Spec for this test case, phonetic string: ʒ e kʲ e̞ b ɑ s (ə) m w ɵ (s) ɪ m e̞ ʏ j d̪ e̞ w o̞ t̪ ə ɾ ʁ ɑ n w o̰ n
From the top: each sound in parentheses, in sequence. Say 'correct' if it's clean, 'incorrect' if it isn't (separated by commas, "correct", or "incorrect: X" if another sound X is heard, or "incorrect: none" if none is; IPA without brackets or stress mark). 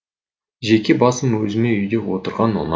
correct, incorrect: z